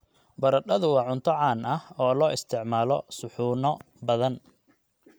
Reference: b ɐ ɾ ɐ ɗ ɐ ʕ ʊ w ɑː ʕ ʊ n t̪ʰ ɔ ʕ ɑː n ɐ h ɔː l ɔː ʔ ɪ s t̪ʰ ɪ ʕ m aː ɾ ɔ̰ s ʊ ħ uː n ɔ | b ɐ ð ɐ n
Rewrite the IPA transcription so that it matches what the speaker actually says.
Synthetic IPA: b ɐ ɾ ɐ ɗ ɐ ð ʊ w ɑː ʕ ʊ n t̪ʰ ɔ ʕ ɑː n ɐ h ɔː l ɔː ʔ ɪ s t̪ʰ ɪ ʕ m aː l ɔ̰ s ʊ ħ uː n ɔ | b ɐ ð ɐ n